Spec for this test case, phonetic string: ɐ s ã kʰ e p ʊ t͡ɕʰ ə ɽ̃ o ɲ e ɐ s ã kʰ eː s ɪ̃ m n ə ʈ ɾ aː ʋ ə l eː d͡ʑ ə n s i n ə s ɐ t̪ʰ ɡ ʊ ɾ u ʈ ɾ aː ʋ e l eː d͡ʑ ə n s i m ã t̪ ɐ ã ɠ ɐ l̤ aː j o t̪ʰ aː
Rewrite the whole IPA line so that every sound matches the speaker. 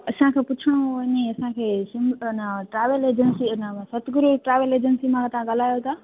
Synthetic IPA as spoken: ɐ s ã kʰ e p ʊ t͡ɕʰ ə ɽ̃ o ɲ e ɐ s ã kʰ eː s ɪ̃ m n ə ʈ ɾ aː ʋ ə l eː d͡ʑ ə n s i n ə s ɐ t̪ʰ ɡ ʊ ɾ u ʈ ɾ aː ʋ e l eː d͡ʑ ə n s i m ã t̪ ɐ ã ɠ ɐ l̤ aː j o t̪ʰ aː